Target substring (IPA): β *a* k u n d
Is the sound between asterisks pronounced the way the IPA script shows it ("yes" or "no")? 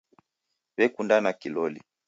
no